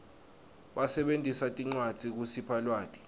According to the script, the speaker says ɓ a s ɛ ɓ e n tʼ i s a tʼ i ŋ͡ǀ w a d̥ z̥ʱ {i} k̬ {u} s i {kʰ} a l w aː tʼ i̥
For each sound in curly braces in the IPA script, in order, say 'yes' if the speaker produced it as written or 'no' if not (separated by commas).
yes, yes, no